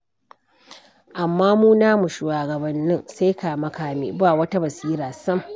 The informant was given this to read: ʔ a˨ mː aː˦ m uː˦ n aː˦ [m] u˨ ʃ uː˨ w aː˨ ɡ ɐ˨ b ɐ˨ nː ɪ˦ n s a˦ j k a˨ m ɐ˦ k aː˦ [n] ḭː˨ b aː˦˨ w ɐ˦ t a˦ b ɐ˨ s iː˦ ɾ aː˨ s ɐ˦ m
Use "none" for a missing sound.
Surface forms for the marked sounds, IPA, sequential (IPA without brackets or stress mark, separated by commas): m, m